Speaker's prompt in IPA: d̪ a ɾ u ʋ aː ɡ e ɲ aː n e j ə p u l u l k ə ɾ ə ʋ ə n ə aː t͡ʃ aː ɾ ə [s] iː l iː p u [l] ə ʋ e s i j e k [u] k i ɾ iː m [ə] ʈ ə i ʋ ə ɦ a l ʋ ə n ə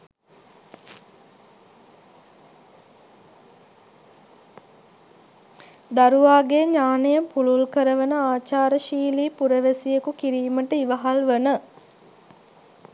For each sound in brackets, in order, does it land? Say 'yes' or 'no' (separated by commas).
no, no, yes, yes